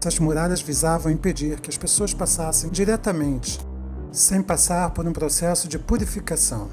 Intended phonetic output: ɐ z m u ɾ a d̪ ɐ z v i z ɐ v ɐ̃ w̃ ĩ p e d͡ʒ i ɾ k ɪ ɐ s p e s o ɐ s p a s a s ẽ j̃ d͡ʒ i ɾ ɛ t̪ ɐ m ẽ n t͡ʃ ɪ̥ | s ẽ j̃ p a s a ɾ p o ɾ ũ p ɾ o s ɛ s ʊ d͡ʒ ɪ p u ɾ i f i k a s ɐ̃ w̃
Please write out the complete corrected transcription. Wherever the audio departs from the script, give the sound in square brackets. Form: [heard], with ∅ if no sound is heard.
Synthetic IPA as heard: ɐ z m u ɾ a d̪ ɐ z v i z [a] v ɐ̃ w̃ ĩ p e d͡ʒ i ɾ k ɪ ɐ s p e s o ɐ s p a s a s ẽ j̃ d͡ʒ i ɾ ɛ t̪ ɐ m ẽ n t͡ʃ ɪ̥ | s ẽ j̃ p a s a ɾ p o ɾ ũ p ɾ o s ɛ s ʊ d͡ʒ ɪ p u ɾ i f i k a s ɐ̃ w̃